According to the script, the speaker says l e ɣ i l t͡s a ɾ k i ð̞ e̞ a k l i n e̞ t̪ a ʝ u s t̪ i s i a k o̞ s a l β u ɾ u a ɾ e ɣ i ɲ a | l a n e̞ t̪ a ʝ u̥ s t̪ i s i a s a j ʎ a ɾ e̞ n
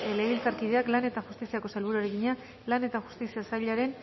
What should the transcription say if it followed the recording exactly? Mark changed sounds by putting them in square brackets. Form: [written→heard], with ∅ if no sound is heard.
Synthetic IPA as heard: l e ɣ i l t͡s a ɾ k i ð̞ e̞ a k l [i→a] n e̞ t̪ a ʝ u s t̪ i s i a k o̞ s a l β u ɾ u a ɾ e ɣ i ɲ a | l a n e̞ t̪ a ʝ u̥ s t̪ i s i a s a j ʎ a ɾ e̞ n